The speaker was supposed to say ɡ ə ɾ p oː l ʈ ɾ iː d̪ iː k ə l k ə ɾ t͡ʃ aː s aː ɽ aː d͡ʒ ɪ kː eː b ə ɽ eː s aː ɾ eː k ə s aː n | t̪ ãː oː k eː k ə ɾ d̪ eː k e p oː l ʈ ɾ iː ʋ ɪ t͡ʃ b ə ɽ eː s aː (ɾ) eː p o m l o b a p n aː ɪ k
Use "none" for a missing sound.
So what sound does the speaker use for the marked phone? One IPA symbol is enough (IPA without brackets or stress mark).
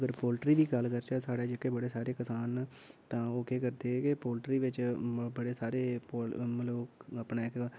ɾ